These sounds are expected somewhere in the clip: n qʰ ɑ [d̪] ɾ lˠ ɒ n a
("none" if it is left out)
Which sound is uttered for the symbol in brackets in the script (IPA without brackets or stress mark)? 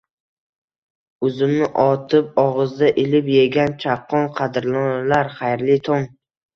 d̪